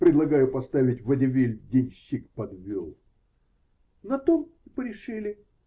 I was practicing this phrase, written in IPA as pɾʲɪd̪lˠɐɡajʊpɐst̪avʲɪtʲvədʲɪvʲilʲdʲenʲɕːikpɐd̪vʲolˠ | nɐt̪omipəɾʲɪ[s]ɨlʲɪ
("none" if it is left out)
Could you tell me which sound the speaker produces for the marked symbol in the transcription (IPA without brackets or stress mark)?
ʂ